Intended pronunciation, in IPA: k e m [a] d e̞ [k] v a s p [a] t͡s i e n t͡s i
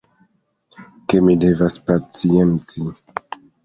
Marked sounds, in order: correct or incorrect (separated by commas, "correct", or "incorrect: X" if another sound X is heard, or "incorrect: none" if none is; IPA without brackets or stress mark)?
incorrect: i, incorrect: none, correct